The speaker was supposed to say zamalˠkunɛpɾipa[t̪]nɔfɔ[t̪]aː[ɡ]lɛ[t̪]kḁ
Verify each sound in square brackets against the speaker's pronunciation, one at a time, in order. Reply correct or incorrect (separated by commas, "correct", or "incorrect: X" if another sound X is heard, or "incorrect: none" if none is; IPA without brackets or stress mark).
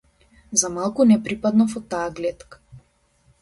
incorrect: d̪, correct, correct, correct